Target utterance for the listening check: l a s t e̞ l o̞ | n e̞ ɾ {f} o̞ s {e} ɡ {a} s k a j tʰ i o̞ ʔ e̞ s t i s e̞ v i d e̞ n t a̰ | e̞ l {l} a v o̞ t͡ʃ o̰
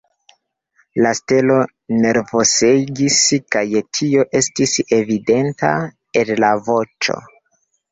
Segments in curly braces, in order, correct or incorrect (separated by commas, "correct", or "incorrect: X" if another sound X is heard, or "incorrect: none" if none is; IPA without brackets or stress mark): incorrect: v, correct, incorrect: i, correct